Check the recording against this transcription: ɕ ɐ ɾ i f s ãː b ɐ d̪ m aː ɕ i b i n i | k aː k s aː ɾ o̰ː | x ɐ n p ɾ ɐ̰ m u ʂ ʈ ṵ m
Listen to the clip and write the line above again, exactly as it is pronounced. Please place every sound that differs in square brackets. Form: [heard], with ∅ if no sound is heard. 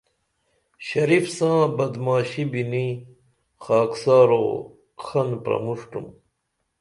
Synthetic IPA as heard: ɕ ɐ ɾ i f s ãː b ɐ d̪ m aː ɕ i b i n i | [x] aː k s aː ɾ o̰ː | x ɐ n p ɾ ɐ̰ m u ʂ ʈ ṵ m